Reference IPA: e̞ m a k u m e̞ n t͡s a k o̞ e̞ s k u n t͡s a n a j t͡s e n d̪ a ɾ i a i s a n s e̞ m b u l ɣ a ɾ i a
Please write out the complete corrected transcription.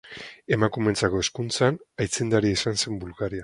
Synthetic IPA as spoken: e̞ m a k u m e̞ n t͡s a k o̞ e̞ s k u n t͡s a n a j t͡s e n d̪ a ɾ i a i s a n s e̞ m b u l ɣ a ɾ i a

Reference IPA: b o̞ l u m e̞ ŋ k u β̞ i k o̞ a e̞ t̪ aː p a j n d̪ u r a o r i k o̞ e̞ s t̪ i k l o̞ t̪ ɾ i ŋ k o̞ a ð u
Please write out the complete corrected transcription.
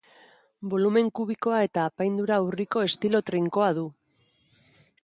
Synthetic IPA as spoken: b o̞ l u m e̞ ŋ k u β̞ i k o̞ a e̞ t̪ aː p a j n d̪ u ɾ a u r i k o̞ e̞ s t̪ i l o̞ t̪ ɾ i ŋ k o̞ a ð u

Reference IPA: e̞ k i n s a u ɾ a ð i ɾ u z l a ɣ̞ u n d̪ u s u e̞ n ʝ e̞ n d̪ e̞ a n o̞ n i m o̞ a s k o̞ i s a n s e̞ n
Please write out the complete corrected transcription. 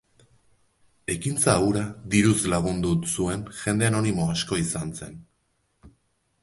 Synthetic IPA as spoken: e̞ k i n t͡s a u ɾ a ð i ɾ u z l a ɣ̞ u n d̪ u s u e̞ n ʝ e̞ n d̪ e̞ a n o̞ n i m o̞ a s k o̞ i s a n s e̞ n

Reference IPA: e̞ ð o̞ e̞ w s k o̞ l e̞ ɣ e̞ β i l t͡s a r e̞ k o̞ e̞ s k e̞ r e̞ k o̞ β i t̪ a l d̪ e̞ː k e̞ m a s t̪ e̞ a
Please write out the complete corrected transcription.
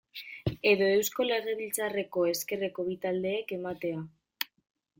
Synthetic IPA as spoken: e̞ ð o̞ e̞ w s k o̞ l e̞ ɣ e̞ β i l t͡s a r e̞ k o̞ e̞ s k e̞ r e̞ k o̞ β i t̪ a l d̪ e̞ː k e̞ m a t̪ e̞ a

